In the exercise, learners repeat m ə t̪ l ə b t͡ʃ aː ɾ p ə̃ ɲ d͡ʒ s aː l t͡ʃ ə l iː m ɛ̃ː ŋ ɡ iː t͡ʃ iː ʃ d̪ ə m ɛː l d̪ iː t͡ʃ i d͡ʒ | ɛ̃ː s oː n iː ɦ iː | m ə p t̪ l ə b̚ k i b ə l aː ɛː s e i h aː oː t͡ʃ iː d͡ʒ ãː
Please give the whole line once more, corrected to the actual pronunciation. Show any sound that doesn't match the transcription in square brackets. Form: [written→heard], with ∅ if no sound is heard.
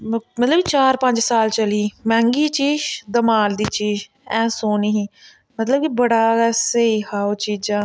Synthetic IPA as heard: m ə t̪ l ə b t͡ʃ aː ɾ p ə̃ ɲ d͡ʒ s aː l t͡ʃ ə l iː m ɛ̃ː ŋ ɡ iː t͡ʃ iː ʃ d̪ ə m [ɛː→aː] l d̪ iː t͡ʃ [i→iː] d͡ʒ | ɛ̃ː s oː n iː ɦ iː | m ə [p→∅] t̪ l ə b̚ k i b ə [l→ɽ] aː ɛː s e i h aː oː t͡ʃ iː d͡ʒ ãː